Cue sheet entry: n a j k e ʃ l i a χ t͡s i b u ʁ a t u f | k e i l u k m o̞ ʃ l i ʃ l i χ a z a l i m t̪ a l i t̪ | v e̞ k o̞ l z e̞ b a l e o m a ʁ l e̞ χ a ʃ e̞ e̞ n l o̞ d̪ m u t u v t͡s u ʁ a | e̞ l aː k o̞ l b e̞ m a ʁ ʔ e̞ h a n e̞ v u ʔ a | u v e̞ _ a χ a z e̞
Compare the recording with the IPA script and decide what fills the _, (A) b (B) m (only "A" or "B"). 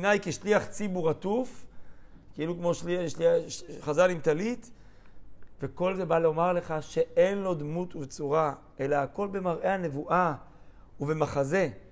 B